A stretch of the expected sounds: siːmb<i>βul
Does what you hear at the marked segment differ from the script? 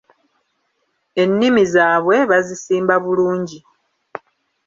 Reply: yes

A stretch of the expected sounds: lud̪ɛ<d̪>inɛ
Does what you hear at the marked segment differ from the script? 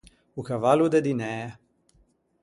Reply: no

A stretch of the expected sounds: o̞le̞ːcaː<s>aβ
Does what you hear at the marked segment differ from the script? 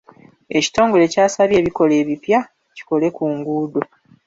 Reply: no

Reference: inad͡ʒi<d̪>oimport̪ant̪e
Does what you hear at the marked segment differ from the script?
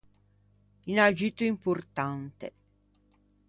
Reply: yes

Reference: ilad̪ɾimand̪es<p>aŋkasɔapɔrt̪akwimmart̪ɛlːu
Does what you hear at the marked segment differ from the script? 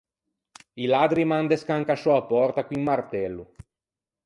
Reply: yes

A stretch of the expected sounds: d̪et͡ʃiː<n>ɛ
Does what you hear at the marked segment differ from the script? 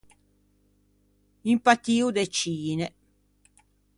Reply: no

